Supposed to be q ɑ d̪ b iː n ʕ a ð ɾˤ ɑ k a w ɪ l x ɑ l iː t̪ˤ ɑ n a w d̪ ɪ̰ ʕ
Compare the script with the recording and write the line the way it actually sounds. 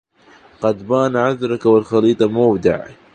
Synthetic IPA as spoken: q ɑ d̪ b aː n ʕ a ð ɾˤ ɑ k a w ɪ l x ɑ l iː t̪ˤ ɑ m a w d̪ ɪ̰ ʕ